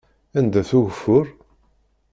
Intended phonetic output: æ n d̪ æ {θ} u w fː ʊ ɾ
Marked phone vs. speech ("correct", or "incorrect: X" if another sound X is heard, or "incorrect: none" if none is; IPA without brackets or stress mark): correct